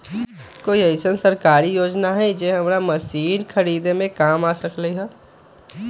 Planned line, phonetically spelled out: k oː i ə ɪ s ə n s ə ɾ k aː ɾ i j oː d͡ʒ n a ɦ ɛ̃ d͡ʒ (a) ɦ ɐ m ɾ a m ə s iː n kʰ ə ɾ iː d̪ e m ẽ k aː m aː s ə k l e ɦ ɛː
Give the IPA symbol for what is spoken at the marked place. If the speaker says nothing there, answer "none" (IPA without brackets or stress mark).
e